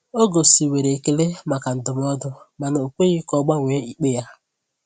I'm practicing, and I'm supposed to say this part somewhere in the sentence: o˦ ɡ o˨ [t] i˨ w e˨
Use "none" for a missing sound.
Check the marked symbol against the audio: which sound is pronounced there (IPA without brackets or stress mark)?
s